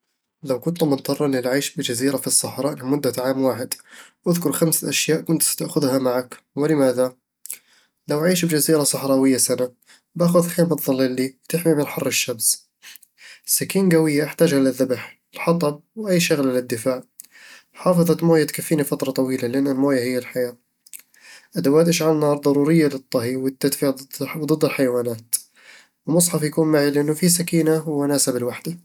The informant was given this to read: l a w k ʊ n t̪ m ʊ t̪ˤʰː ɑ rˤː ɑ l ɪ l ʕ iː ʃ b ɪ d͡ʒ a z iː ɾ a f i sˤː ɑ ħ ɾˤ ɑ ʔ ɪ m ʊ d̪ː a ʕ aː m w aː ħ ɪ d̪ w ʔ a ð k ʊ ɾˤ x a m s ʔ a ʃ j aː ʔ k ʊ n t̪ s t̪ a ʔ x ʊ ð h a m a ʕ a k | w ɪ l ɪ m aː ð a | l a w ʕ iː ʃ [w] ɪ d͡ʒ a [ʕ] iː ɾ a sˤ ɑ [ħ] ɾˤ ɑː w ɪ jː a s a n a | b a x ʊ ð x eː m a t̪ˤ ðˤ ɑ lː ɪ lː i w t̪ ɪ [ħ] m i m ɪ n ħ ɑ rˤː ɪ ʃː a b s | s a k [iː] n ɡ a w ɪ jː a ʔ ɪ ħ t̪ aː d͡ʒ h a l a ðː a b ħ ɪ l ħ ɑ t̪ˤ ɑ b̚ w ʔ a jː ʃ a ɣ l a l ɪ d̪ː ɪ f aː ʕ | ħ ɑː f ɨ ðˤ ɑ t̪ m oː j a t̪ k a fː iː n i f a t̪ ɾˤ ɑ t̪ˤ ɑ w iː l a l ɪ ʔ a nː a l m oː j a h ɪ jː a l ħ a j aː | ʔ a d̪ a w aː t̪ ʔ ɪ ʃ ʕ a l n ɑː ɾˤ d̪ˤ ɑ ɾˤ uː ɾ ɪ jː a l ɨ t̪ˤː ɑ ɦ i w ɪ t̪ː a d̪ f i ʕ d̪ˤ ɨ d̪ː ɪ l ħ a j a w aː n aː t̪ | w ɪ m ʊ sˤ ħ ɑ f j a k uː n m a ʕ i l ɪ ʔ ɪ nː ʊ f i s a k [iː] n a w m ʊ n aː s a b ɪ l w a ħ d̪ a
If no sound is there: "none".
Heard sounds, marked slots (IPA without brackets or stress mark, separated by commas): b, z, ħ, ħ, iː, iː